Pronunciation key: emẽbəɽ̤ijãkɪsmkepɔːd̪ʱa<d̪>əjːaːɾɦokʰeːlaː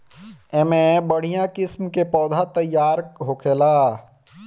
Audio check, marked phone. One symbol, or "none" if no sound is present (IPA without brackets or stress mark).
t̪